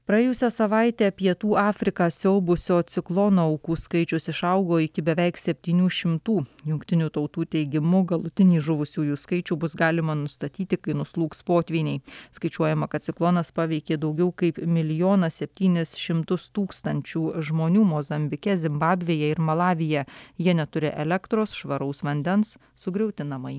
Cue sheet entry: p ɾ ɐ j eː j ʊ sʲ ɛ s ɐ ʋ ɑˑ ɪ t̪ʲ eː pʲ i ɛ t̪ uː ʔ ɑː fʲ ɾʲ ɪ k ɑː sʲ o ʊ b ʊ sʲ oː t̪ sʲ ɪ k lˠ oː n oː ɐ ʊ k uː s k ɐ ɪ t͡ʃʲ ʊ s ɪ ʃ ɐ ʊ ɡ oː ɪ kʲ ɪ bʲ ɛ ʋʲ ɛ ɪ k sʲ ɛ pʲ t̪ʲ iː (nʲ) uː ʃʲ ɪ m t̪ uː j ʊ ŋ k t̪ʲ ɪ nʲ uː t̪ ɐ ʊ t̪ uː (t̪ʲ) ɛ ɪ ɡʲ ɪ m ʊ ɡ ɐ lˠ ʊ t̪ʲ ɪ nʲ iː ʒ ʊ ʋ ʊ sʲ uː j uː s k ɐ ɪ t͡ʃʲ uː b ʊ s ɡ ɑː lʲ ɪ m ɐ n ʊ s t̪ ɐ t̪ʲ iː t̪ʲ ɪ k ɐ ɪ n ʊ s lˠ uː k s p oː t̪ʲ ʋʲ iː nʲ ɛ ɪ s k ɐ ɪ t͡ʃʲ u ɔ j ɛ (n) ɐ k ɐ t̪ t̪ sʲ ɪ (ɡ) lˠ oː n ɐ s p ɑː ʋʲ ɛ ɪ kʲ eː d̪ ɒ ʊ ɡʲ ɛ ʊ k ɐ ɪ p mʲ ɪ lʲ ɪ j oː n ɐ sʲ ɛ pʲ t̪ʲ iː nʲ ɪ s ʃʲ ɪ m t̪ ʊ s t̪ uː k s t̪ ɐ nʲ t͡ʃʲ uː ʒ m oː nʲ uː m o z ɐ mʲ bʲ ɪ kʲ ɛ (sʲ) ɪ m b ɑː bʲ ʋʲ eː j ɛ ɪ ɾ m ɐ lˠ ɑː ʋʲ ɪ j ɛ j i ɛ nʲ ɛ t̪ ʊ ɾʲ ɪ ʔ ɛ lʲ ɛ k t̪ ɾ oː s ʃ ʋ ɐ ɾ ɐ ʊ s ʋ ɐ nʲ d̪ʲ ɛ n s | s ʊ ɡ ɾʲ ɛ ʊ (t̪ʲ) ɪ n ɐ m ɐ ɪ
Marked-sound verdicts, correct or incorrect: correct, correct, incorrect: m, incorrect: k, incorrect: zʲ, correct

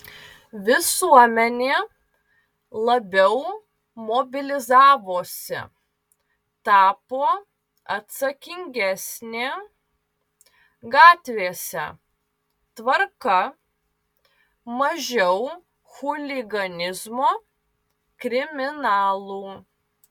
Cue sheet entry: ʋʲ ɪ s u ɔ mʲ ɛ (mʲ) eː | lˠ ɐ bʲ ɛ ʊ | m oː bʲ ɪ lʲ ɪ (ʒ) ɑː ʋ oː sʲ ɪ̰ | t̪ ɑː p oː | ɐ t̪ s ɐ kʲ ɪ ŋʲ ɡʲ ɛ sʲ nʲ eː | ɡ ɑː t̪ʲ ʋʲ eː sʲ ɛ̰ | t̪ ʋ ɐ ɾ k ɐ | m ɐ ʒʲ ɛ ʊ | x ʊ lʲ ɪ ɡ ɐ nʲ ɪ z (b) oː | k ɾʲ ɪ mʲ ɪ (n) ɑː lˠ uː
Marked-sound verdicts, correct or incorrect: incorrect: nʲ, incorrect: z, incorrect: m, correct

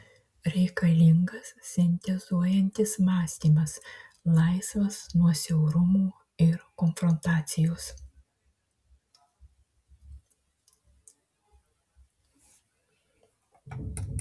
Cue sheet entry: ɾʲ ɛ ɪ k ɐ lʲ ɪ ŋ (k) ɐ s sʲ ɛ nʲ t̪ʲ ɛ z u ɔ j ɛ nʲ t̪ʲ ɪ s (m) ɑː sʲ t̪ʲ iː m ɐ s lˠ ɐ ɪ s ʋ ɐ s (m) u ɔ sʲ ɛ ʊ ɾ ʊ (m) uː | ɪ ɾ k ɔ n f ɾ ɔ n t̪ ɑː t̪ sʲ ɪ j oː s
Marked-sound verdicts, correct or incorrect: incorrect: ɡ, correct, incorrect: n, correct

